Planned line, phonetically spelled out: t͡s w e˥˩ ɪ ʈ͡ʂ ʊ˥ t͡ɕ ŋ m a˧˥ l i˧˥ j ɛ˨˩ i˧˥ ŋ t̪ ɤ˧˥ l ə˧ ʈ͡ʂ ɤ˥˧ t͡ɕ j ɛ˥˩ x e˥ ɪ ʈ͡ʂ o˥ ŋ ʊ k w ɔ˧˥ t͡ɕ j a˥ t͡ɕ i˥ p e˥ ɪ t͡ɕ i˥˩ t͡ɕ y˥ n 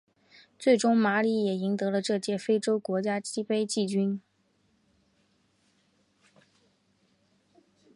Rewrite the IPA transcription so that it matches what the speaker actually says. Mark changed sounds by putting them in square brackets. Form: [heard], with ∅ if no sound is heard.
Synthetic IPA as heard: t͡s w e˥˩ ɪ ʈ͡ʂ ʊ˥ [∅] ŋ m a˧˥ l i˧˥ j ɛ˨˩ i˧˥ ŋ t̪ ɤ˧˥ l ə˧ ʈ͡ʂ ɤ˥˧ t͡ɕ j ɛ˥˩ [f] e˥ ɪ ʈ͡ʂ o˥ [∅] ʊ k w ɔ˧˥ t͡ɕ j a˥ t͡ɕ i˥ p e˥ ɪ t͡ɕ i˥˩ t͡ɕ y˥ n